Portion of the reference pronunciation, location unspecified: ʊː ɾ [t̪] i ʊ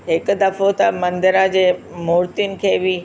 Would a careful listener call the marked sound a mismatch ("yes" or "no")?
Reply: no